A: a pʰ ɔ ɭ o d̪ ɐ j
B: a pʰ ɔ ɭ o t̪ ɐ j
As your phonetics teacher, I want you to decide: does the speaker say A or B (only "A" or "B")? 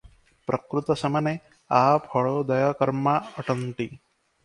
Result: A